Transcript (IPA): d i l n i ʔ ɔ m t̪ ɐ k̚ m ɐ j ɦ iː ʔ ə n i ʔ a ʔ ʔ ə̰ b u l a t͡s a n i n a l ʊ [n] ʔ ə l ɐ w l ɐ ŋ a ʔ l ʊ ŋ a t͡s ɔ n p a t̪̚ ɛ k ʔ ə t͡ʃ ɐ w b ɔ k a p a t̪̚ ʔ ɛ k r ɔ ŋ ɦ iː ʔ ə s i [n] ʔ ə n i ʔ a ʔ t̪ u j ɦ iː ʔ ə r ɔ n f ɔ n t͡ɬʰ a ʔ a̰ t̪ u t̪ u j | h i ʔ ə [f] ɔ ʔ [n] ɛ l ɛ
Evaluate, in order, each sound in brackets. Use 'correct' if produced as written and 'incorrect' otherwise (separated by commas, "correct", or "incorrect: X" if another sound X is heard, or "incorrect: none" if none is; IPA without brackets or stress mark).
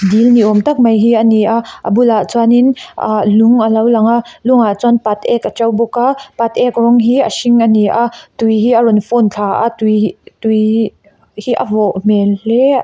incorrect: ŋ, incorrect: ŋ, incorrect: v, incorrect: m